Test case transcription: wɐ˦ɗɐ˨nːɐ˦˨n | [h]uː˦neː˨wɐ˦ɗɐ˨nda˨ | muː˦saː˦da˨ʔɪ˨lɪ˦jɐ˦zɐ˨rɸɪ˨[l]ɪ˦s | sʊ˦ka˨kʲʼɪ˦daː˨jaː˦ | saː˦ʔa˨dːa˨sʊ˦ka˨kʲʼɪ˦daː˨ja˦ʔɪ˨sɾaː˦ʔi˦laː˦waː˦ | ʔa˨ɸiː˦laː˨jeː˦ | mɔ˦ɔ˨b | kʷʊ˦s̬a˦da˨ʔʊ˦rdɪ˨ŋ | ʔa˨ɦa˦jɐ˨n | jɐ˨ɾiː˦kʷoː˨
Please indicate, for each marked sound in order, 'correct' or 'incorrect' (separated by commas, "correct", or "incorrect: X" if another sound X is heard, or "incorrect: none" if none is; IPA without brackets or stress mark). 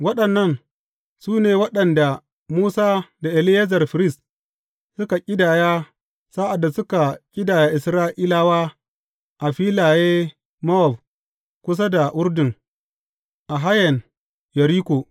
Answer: incorrect: s, incorrect: ɾ